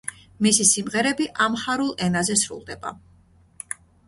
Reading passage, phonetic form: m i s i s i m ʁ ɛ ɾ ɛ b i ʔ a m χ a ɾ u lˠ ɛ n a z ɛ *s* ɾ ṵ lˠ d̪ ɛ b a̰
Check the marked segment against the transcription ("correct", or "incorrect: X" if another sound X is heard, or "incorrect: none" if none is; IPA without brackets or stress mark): correct